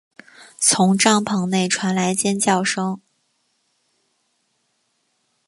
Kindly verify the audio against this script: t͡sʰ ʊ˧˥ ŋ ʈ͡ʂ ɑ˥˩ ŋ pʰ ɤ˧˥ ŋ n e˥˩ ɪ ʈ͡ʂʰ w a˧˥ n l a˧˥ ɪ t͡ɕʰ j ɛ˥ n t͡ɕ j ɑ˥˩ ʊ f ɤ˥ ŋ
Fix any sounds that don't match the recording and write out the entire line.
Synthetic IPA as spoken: t͡sʰ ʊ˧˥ ŋ ʈ͡ʂ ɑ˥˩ ŋ pʰ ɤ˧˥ ŋ n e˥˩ ɪ ʈ͡ʂʰ w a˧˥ n l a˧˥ ɪ t͡ɕ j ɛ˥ n t͡ɕ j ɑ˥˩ ʊ ʂ ɤ˥ ŋ